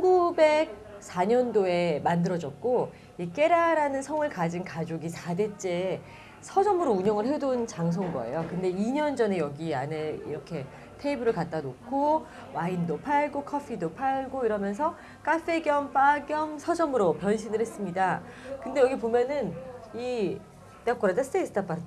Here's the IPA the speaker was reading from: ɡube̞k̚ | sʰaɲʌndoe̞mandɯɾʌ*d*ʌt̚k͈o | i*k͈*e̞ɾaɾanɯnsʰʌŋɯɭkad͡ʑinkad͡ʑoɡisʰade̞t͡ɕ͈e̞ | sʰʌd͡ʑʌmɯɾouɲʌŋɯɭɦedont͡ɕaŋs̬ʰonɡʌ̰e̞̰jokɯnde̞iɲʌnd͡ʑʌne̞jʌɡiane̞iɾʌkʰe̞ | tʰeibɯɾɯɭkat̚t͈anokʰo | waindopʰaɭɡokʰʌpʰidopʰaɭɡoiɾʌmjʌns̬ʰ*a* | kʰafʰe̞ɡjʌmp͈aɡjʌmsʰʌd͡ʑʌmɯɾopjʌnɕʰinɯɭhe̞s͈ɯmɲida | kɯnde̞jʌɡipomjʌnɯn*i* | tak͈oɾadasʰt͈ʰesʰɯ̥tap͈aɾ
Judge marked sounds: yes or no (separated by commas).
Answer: no, yes, no, yes